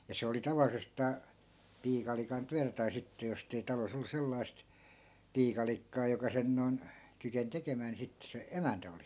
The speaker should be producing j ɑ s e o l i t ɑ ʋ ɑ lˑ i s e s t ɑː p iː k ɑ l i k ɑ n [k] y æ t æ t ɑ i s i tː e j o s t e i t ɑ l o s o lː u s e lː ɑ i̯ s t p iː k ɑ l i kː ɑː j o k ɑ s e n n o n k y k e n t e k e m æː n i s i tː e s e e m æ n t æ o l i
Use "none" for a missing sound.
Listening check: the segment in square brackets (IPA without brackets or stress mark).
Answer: t